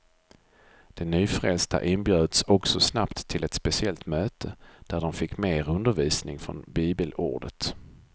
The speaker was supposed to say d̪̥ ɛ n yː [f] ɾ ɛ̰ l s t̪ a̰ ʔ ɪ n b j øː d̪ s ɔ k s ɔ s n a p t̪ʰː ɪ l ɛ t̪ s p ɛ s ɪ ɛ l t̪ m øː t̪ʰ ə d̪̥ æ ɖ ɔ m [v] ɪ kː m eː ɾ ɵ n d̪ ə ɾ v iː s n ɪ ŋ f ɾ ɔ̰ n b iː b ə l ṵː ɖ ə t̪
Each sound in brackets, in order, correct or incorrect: correct, incorrect: f

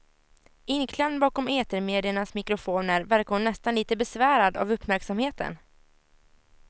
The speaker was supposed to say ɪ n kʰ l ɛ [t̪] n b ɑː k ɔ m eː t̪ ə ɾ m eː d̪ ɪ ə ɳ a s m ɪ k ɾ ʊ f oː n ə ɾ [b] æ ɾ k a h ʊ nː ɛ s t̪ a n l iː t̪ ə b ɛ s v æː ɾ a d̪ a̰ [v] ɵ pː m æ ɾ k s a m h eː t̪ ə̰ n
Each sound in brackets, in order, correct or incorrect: incorrect: none, incorrect: v, correct

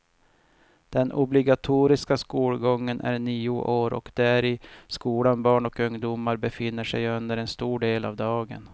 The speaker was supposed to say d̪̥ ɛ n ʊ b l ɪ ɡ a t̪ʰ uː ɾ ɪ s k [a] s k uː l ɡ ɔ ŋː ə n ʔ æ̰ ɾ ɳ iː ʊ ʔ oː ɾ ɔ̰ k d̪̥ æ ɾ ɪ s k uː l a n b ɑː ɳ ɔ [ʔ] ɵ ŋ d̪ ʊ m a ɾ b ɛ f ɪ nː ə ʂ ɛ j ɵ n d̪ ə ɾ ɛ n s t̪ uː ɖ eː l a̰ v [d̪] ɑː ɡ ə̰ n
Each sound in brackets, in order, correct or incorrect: correct, incorrect: k, correct

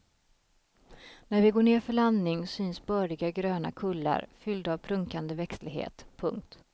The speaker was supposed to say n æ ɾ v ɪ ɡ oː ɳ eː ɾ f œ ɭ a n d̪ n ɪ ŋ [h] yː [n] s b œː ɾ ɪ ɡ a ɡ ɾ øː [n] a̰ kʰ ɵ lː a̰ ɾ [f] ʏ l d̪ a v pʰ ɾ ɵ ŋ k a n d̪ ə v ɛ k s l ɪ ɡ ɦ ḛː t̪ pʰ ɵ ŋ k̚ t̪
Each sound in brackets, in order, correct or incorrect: incorrect: s, correct, correct, correct

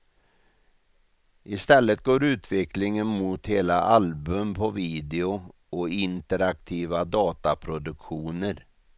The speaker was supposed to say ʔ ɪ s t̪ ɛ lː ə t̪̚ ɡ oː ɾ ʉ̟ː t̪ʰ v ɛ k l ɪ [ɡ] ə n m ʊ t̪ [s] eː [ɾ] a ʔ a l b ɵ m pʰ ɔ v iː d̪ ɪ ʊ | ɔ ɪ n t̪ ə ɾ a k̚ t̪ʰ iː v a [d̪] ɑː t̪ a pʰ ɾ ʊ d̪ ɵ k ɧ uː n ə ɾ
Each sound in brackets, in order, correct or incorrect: incorrect: ŋ, incorrect: h, incorrect: l, correct

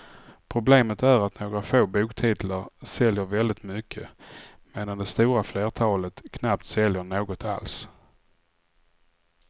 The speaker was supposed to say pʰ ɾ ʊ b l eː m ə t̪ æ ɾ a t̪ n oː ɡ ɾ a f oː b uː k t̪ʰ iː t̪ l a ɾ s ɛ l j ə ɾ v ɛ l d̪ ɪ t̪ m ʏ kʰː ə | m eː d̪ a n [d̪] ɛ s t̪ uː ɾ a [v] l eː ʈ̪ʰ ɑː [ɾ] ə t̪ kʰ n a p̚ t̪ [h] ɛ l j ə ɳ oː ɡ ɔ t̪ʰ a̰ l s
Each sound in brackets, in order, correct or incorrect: correct, incorrect: f, incorrect: l, incorrect: s

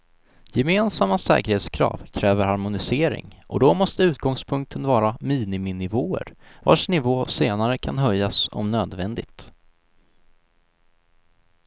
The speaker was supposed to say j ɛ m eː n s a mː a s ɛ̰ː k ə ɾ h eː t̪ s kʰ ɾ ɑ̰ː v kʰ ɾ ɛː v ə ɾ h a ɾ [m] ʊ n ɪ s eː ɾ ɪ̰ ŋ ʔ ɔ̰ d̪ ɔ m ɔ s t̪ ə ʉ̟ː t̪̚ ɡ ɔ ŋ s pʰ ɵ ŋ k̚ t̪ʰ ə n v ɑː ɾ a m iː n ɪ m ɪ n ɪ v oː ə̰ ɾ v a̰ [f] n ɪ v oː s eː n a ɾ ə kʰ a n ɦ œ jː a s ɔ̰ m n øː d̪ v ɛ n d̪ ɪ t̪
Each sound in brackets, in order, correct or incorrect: correct, incorrect: ʂ

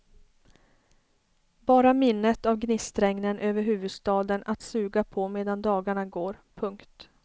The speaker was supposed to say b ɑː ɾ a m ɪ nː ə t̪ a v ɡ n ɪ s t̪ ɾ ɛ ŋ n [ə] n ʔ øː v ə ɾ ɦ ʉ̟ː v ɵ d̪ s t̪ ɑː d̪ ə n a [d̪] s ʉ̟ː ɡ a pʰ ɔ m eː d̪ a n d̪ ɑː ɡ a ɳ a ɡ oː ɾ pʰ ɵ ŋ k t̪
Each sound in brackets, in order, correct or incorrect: correct, incorrect: t̪

